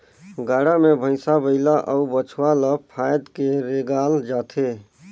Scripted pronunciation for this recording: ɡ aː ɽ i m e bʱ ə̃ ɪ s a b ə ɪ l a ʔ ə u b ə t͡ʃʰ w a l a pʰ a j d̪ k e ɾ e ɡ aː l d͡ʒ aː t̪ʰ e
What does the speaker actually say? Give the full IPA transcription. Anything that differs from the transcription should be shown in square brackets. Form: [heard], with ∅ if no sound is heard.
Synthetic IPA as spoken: ɡ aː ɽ [a] m e bʱ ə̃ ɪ s a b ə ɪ l a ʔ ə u b ə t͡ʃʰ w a l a pʰ a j d̪ k e ɾ e ɡ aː l d͡ʒ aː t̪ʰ e